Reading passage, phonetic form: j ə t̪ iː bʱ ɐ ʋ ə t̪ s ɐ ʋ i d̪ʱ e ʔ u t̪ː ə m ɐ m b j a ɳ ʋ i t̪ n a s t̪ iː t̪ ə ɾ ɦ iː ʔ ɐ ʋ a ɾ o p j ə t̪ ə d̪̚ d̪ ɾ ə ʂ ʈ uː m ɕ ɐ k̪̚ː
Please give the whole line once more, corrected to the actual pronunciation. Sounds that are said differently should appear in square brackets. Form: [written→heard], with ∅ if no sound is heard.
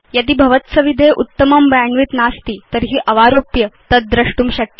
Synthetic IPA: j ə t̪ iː bʱ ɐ ʋ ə t̪ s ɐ ʋ i d̪ʱ e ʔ u t̪ː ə m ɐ m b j a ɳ ʋ i t̪ n a s t̪ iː t̪ ə ɾ ɦ iː ʔ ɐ ʋ a ɾ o p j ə t̪ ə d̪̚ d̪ ɾ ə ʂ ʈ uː m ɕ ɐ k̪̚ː